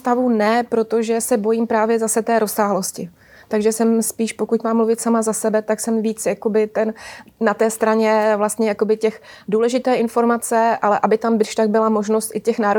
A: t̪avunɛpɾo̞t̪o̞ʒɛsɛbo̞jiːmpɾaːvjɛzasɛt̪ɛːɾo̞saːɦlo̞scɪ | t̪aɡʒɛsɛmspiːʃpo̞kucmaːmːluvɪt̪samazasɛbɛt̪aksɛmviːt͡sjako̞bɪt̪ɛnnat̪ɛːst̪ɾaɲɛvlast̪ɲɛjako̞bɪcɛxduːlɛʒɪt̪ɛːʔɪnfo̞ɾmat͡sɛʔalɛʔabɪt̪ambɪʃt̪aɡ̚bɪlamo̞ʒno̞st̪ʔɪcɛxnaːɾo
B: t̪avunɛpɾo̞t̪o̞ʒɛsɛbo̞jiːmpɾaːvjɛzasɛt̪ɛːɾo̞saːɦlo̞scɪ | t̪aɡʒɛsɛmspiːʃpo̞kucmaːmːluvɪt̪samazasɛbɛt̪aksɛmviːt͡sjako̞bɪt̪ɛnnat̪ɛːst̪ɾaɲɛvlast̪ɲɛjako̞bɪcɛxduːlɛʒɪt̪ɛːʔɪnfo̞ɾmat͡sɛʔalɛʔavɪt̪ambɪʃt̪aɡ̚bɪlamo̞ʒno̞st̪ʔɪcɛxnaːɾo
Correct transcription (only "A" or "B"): A